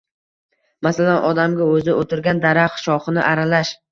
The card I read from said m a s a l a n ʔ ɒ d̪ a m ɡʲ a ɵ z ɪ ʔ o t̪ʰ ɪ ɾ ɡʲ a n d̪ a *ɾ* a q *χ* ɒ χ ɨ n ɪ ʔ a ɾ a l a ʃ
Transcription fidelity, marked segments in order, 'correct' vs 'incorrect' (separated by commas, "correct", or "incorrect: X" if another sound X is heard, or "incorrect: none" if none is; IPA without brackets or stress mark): correct, incorrect: ʃ